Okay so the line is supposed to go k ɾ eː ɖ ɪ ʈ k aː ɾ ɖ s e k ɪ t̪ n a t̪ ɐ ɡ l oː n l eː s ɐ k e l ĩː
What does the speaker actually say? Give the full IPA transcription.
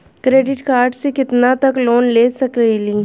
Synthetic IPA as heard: k ɾ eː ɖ ɪ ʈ k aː ɾ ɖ s e k ɪ t̪ n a t̪ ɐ k l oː n l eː s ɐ k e l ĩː